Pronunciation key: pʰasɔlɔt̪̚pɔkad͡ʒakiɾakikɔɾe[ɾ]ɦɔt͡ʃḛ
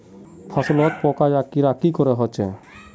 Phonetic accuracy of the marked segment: incorrect: none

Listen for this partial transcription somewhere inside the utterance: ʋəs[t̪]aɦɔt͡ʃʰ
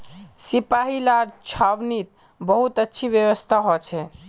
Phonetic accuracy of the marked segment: incorrect: t̪ʰ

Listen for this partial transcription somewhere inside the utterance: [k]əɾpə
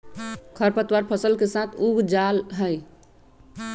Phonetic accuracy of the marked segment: incorrect: kʰ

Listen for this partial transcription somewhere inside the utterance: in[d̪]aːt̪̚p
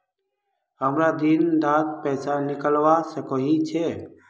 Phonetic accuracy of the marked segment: correct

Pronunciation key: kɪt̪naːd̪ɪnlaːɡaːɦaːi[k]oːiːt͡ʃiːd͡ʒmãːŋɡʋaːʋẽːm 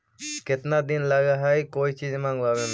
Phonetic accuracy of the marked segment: correct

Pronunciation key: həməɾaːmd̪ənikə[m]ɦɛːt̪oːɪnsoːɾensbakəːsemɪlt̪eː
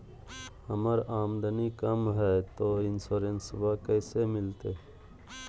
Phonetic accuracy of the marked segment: correct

